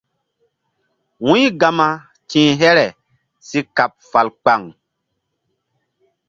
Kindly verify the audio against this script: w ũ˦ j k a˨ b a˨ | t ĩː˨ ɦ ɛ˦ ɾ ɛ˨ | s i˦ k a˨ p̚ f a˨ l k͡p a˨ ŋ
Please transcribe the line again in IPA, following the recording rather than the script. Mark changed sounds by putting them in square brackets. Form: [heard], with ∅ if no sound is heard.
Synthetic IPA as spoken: w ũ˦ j [ɡ] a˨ [m] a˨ | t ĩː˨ ɦ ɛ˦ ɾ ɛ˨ | s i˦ k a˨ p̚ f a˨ l k͡p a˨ ŋ